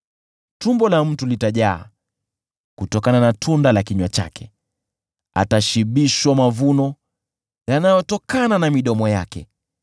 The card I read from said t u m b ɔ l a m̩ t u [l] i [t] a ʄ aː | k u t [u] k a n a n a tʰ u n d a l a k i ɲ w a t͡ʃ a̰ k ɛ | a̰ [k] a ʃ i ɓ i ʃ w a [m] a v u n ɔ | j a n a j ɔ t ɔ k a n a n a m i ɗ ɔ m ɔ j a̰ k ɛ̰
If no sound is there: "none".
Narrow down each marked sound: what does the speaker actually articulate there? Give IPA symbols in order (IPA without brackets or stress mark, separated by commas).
l, t, ɔ, t, m